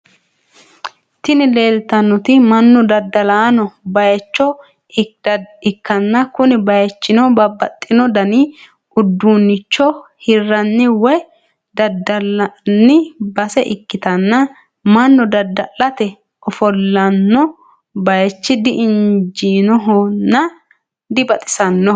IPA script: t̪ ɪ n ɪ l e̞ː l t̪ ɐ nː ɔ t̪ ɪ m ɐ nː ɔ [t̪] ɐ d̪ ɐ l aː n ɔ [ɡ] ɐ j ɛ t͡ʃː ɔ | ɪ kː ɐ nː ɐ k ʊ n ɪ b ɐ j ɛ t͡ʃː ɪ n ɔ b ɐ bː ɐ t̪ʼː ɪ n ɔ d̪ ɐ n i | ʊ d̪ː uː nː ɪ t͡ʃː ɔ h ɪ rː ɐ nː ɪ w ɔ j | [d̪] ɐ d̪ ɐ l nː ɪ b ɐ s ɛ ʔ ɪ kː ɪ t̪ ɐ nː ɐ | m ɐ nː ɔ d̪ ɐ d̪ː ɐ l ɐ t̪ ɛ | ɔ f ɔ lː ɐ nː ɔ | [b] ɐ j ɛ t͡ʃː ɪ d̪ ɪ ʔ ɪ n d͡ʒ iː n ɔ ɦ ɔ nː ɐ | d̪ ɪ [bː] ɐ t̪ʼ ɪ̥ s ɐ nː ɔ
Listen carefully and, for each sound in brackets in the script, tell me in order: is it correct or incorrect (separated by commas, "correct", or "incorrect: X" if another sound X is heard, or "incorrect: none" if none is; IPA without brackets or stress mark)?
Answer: incorrect: d̪, incorrect: b, correct, correct, incorrect: b